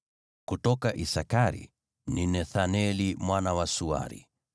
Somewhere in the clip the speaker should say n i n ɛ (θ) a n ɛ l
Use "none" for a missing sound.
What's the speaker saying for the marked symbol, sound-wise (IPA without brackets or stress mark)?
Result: θ